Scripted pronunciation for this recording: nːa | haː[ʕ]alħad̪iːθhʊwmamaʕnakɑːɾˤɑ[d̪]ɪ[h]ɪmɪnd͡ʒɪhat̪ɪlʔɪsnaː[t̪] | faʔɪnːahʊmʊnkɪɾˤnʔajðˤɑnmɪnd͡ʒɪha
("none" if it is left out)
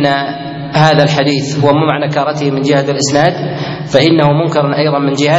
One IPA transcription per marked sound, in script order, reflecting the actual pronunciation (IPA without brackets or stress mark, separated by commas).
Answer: ð, t̪, h, d̪